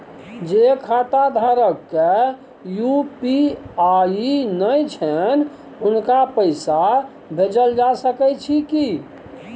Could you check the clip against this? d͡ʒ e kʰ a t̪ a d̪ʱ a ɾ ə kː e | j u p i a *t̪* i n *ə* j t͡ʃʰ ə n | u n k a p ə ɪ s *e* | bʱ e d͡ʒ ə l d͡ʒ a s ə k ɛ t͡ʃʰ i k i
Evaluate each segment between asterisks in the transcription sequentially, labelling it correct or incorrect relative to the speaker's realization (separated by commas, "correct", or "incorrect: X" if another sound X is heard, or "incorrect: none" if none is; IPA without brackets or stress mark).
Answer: incorrect: none, correct, incorrect: a